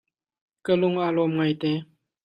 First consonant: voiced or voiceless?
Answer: voiceless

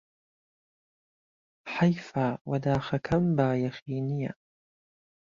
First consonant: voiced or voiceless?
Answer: voiceless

